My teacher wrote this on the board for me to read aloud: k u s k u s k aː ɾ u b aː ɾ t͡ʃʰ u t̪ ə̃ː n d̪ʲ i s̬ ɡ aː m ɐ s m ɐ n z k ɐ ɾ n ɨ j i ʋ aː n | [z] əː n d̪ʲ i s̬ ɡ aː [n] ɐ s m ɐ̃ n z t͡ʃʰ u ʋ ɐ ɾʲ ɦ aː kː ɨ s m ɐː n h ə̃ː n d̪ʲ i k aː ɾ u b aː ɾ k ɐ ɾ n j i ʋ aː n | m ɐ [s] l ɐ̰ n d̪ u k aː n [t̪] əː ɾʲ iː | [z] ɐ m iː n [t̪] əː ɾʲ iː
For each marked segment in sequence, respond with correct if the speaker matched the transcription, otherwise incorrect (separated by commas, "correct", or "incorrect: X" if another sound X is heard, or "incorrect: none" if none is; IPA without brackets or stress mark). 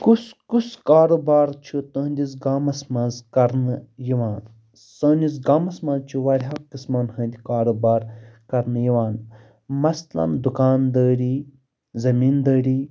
incorrect: s, incorrect: m, correct, incorrect: d̪, correct, incorrect: d̪